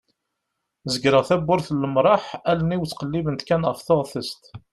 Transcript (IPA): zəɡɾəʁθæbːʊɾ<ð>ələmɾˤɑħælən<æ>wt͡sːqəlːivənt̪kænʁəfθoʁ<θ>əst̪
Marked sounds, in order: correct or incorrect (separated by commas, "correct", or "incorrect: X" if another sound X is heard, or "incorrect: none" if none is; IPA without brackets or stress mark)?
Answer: incorrect: θ, incorrect: i, correct